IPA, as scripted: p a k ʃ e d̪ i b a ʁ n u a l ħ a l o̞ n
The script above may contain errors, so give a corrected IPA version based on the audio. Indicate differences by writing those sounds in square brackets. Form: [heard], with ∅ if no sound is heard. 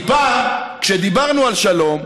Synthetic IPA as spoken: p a k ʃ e d̪ i b a ʁ n u a l [ʃ] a l o̞ [m]